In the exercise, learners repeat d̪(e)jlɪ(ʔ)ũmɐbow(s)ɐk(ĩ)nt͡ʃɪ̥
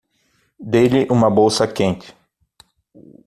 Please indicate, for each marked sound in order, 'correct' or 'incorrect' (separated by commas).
correct, correct, correct, incorrect